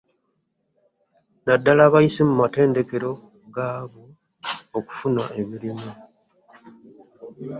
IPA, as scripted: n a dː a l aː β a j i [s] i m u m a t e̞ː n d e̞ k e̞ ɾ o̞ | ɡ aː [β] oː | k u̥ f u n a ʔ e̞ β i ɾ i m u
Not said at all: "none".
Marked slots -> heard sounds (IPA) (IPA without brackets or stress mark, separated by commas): s, β